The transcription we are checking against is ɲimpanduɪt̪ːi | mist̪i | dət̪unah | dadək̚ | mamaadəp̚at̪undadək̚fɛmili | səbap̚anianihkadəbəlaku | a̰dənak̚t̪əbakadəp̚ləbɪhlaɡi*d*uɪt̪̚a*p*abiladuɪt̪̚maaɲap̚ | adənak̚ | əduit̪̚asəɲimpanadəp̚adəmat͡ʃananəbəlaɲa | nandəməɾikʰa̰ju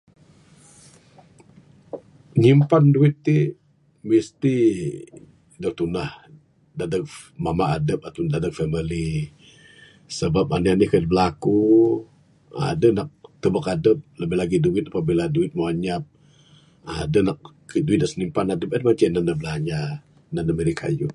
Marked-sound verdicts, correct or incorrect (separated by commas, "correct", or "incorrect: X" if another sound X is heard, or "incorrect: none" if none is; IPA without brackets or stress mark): correct, correct